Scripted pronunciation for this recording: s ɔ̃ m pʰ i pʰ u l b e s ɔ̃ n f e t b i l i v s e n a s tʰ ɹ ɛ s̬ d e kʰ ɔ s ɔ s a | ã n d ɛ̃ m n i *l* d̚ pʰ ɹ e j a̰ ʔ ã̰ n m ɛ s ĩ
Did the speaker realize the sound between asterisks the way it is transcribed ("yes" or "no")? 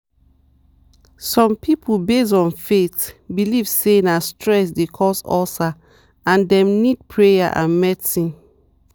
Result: no